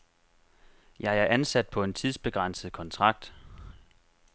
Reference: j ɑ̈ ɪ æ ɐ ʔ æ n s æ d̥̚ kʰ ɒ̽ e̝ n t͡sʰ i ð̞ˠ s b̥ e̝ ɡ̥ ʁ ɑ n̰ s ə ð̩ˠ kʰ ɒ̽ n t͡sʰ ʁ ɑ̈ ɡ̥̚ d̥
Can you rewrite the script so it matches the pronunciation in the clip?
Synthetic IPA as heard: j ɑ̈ ɪ æ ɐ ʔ æ n s æ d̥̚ pʰ ɒ̽ e̝ n t͡sʰ i ð̞ˠ s b̥ e̝ ɡ̥ ʁ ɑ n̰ s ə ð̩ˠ kʰ ɒ̽ n t͡sʰ ʁ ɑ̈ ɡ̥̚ d̥